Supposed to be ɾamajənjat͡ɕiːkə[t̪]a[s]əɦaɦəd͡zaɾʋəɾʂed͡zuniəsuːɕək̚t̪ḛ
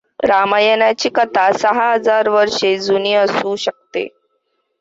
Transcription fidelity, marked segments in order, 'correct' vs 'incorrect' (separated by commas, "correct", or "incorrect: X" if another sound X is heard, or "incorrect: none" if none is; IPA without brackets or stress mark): correct, correct